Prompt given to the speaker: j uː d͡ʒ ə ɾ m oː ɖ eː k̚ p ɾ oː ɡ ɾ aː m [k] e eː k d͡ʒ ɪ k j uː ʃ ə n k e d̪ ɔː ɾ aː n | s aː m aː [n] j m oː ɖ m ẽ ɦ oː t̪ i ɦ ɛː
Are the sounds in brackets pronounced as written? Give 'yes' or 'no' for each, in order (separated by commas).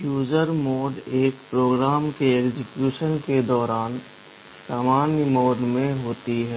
yes, yes